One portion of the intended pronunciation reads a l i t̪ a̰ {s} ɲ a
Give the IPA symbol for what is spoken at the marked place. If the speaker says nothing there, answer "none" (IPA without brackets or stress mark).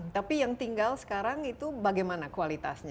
s